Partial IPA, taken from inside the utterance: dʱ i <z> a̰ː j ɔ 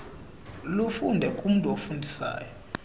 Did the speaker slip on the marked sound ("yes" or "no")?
yes